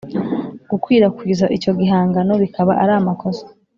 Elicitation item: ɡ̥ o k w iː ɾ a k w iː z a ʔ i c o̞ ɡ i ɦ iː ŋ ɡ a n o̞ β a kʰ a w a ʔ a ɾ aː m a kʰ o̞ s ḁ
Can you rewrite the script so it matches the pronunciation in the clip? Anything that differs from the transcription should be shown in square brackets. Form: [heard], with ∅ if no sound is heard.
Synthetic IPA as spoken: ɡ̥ [u] k w iː ɾ a k w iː z a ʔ i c o̞ ɡ i ɦ [aː] ŋ ɡ a n o̞ β [i] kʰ a [β] a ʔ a ɾ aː m a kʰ o̞ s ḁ